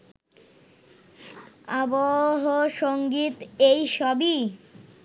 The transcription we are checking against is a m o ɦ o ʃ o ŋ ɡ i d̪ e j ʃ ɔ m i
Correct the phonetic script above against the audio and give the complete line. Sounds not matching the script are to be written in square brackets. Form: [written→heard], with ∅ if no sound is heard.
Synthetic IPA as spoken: a [m→b] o ɦ o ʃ o ŋ ɡ i [d̪→t̪] e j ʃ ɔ [m→b] i